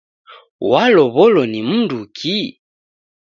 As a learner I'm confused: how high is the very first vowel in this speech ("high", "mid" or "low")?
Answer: low